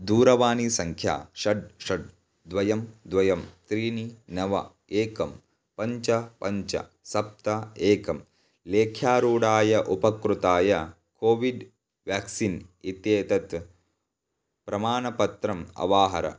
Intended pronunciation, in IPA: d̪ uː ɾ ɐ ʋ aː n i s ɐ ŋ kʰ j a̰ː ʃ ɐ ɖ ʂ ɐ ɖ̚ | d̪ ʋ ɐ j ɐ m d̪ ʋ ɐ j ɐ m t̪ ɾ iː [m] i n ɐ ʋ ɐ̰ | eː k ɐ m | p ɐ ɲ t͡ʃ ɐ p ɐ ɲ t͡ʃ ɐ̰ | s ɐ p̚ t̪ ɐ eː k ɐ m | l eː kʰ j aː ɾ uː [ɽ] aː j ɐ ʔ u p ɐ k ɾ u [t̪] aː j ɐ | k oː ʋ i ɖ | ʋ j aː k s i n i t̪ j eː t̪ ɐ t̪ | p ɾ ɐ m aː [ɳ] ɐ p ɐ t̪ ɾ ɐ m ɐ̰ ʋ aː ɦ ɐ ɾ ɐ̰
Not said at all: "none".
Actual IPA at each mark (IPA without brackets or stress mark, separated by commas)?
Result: n, ɽ, t̪, n